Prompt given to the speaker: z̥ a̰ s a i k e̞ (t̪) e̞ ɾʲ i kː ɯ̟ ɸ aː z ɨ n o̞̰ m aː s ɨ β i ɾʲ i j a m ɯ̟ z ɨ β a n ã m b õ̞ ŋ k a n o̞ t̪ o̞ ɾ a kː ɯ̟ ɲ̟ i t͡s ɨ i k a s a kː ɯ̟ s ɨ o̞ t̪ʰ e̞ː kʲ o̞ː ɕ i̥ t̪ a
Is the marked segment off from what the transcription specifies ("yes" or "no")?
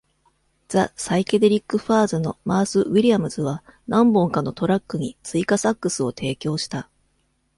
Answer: yes